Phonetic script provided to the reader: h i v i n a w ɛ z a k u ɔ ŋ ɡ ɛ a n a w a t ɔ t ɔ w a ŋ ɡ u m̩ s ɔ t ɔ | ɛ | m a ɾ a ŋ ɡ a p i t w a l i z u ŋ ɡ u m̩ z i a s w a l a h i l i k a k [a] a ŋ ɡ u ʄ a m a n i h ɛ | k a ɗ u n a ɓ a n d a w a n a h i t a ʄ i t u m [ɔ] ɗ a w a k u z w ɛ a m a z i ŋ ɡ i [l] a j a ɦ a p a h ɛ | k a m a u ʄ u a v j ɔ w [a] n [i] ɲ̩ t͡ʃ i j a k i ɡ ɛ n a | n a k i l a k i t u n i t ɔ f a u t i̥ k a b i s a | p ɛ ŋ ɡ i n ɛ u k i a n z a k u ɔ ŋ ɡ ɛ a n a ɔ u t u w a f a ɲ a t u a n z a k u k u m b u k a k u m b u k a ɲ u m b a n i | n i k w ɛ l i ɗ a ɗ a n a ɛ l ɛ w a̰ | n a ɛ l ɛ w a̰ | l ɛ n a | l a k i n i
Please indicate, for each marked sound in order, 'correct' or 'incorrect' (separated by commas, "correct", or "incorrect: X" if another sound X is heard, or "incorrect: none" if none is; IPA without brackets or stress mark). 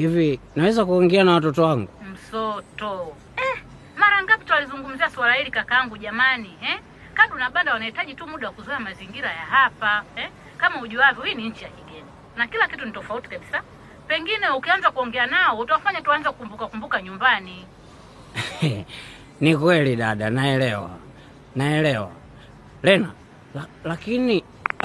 correct, incorrect: u, incorrect: ɾ, incorrect: i, correct